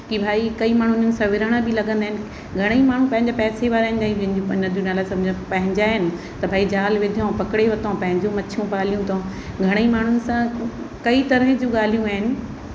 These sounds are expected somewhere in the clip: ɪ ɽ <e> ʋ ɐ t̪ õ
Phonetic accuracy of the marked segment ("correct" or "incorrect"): correct